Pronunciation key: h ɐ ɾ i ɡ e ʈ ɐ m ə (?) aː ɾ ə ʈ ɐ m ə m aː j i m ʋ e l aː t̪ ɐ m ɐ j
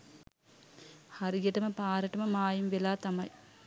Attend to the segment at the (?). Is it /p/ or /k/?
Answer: p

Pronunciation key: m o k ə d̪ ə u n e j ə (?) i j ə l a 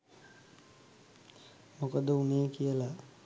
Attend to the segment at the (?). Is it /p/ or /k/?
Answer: k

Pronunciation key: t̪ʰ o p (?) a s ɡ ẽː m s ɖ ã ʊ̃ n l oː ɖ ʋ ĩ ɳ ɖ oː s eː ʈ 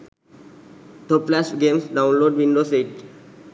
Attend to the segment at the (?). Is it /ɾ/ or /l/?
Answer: l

